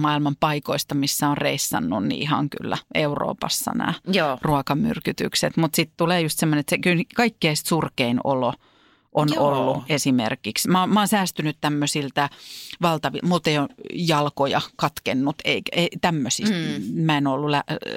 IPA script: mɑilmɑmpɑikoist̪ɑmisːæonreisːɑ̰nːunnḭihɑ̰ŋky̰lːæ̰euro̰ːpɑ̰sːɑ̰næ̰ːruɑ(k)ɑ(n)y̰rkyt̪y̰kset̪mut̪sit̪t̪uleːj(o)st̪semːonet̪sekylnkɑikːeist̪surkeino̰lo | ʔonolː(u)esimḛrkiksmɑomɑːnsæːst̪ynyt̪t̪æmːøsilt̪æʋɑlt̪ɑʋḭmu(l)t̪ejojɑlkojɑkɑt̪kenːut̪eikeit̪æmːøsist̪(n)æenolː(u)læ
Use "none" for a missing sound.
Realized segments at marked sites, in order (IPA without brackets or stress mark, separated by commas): k, m, u, u, l, m, u